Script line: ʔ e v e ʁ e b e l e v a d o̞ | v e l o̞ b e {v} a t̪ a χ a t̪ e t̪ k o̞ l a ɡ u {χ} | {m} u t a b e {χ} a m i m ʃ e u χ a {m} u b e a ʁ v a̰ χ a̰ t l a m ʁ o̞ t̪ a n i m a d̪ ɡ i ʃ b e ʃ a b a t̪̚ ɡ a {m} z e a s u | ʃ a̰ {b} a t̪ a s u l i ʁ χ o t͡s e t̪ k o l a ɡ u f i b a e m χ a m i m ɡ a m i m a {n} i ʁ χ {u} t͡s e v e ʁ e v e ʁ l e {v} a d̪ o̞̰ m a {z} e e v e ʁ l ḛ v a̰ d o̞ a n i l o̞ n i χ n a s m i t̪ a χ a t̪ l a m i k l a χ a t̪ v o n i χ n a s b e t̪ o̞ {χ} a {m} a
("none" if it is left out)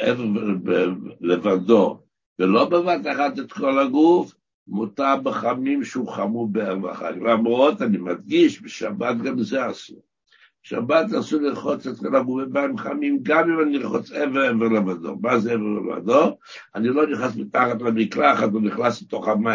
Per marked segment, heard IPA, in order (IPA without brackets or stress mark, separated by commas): v, f, m, χ, m, m, b, n, o, v, z, χ, m